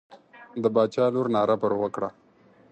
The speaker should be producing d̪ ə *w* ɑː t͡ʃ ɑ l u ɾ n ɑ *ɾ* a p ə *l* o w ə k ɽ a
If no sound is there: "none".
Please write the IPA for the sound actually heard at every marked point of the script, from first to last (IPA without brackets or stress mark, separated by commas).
b, ɾ, ɾ